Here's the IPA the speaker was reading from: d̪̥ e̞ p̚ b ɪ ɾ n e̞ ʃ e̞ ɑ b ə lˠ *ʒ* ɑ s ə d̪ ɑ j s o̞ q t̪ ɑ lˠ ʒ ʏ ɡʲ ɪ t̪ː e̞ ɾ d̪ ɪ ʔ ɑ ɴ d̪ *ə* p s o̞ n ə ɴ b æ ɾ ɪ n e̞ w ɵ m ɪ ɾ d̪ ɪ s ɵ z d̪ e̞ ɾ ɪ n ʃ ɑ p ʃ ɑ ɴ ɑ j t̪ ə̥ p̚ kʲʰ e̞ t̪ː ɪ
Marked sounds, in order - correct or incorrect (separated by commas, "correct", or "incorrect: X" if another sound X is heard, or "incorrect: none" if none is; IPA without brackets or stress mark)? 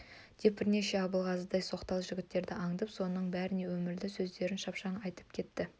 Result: incorrect: ʁ, correct